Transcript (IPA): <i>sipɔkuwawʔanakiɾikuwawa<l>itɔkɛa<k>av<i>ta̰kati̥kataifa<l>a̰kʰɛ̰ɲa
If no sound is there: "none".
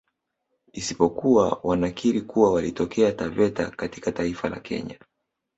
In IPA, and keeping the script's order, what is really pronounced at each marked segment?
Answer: i, l, t, ɛ, l

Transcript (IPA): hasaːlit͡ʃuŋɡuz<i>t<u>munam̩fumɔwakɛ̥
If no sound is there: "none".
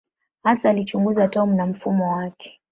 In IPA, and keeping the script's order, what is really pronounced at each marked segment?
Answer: a, ɔ

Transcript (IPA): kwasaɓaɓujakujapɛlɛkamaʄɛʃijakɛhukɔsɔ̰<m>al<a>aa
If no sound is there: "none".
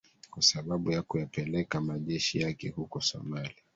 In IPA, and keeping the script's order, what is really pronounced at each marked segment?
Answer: m, i

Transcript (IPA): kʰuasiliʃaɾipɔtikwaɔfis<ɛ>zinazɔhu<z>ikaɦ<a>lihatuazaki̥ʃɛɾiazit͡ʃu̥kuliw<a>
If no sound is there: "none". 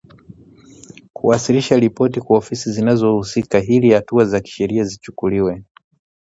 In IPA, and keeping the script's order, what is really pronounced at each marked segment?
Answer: i, s, i, ɛ

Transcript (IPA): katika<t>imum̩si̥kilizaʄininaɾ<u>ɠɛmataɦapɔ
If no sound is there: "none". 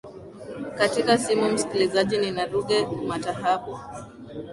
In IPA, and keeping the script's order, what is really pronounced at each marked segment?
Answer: s, u

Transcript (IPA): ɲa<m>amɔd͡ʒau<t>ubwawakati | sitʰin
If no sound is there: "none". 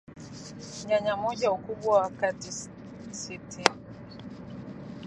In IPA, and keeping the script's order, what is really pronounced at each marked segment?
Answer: ɲ, k

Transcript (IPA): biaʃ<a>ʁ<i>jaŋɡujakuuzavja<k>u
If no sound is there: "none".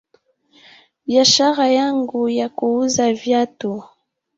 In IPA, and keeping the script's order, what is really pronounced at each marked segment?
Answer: a, a, t

